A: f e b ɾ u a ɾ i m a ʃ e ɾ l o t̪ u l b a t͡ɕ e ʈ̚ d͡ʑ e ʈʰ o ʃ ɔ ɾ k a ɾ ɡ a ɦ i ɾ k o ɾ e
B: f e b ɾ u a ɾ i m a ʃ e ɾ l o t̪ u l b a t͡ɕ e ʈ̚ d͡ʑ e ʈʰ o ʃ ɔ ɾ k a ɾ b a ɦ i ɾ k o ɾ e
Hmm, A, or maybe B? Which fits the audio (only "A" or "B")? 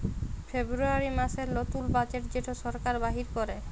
B